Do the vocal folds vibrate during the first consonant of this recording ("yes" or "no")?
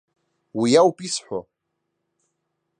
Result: yes